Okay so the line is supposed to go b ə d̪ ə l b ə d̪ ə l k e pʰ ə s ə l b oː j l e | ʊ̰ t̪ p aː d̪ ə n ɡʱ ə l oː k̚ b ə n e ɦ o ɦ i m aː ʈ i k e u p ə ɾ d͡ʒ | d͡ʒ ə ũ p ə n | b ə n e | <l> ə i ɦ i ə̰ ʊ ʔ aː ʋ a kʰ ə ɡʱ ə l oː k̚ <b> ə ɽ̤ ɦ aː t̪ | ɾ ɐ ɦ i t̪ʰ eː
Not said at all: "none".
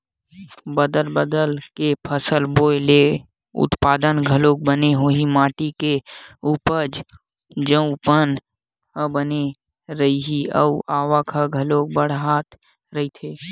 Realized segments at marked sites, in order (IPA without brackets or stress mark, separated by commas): ɾ, b